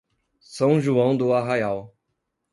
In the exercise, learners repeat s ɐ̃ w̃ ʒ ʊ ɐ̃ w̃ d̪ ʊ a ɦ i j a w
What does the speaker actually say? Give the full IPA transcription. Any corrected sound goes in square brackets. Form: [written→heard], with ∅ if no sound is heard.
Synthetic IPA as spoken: s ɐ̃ w̃ ʒ [ʊ→u] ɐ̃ w̃ d̪ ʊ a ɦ [i→a] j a w